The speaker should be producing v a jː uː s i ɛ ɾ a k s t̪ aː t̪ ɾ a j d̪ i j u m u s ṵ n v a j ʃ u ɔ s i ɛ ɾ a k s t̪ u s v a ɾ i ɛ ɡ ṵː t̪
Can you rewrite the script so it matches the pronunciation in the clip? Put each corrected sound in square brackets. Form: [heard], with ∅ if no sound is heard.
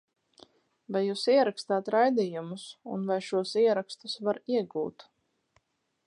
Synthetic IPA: v a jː uː s i ɛ ɾ a k s t̪ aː t̪ ɾ a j d̪ i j u m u s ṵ n v a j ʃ u ɔ s i ɛ ɾ a k s t̪ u s v a ɾ i ɛ ɡ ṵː t̪